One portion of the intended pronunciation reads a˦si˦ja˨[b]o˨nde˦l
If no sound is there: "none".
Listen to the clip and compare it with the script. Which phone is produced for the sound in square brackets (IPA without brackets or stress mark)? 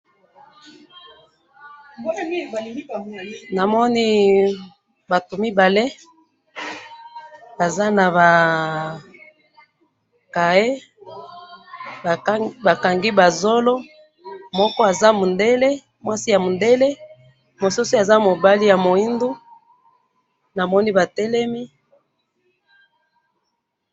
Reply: m